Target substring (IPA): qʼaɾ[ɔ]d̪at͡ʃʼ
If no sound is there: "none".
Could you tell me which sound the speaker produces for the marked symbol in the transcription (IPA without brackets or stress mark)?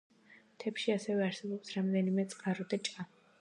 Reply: ɔ